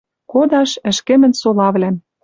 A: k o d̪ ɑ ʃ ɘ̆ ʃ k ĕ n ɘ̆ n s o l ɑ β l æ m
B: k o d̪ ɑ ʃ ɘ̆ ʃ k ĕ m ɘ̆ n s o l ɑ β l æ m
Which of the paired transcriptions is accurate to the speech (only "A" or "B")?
B